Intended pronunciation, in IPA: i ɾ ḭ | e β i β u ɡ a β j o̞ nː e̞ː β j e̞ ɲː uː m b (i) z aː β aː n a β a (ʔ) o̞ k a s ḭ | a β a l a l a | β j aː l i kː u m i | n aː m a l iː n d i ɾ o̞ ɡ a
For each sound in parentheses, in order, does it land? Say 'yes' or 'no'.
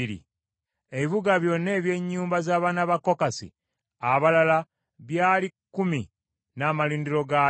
no, no

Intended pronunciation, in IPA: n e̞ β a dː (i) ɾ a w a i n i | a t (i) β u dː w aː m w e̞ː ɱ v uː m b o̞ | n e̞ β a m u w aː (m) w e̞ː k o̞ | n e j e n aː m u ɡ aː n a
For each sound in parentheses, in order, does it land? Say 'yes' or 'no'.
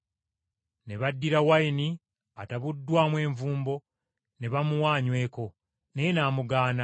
yes, no, no

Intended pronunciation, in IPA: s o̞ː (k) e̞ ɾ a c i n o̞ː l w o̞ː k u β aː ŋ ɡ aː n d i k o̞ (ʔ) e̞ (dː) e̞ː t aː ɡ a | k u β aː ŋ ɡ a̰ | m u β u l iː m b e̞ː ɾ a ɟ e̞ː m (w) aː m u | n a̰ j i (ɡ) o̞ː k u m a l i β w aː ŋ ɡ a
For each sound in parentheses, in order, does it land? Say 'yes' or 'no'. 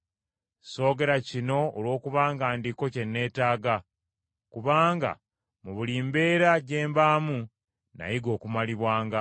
no, no, no, no, yes

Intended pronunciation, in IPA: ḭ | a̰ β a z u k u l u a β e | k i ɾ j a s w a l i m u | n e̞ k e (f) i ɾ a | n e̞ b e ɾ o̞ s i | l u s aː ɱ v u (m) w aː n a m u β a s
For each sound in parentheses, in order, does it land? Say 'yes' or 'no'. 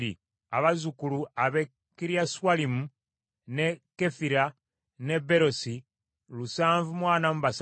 yes, yes

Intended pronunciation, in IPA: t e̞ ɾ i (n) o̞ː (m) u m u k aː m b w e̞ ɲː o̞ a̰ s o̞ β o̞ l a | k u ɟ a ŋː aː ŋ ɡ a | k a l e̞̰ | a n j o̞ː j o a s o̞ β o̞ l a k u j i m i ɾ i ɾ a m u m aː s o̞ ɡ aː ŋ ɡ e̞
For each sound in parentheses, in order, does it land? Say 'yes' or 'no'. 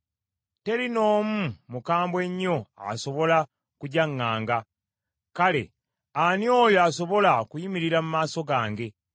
yes, yes

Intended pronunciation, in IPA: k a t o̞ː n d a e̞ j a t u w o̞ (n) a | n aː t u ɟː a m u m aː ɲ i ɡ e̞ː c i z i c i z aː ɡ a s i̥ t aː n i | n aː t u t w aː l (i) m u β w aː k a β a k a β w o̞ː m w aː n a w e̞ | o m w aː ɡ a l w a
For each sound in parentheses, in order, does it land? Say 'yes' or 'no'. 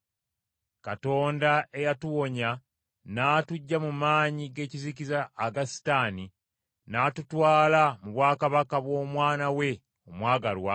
no, no

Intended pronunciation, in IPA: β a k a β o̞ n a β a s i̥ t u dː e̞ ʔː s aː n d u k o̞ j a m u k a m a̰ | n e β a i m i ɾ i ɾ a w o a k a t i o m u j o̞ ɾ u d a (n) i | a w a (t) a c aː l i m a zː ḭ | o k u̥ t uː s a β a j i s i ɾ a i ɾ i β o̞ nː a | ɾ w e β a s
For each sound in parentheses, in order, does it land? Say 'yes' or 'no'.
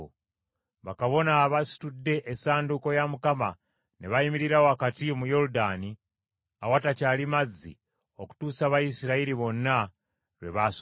yes, yes

